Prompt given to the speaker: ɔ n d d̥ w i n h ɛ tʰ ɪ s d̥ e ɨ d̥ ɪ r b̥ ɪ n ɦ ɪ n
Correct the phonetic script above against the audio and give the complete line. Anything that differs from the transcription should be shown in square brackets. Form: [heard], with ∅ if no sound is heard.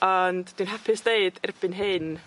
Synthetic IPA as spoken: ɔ n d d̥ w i n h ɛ [pʰ] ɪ s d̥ e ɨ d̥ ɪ r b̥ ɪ n ɦ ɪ n